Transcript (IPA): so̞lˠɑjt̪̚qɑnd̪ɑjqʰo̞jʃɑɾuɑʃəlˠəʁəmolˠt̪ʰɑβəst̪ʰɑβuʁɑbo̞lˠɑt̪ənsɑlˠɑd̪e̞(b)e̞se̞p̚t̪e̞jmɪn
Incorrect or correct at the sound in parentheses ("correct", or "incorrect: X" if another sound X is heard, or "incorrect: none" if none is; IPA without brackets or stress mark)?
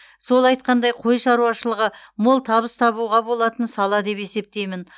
incorrect: p